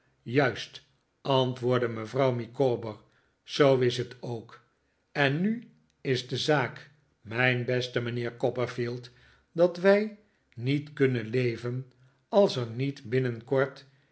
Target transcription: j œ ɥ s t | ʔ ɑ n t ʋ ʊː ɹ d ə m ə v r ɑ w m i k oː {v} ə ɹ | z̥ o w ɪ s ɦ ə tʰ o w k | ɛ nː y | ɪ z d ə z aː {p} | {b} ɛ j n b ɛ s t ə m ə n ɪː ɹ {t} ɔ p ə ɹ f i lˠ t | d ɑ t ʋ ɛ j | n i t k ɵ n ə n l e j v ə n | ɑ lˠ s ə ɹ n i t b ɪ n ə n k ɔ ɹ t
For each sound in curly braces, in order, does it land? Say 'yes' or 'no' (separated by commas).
no, no, no, no